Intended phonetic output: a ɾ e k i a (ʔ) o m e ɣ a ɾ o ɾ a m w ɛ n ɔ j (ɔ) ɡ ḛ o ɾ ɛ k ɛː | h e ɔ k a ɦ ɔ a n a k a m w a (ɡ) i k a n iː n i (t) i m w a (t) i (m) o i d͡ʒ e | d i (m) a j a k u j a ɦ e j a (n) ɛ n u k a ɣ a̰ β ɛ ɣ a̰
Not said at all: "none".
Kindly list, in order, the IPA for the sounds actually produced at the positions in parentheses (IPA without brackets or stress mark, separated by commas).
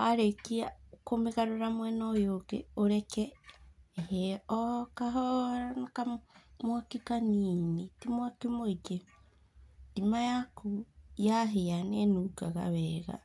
k, o, k, t, k, m, m, n